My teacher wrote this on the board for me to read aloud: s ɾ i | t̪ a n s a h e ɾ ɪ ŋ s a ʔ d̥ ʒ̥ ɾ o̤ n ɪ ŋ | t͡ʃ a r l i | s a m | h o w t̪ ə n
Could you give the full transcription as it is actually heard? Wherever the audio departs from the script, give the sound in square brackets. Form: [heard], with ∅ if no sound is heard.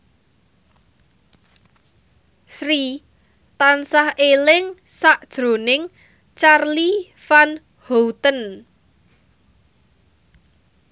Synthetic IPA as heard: s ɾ i | t̪ a n s a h e [l] ɪ ŋ s a ʔ d̥ ʒ̥ ɾ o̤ n ɪ ŋ | t͡ʃ a r l i | [f] a [n] | h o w t̪ ə n